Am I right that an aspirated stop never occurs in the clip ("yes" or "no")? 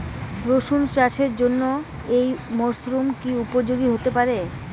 yes